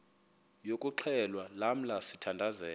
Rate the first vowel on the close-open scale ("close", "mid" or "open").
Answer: mid